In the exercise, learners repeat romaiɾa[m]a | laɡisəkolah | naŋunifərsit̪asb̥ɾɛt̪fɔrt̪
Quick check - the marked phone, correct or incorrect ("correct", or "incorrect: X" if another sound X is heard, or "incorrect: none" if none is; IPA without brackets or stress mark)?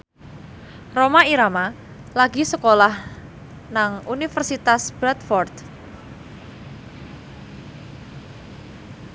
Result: correct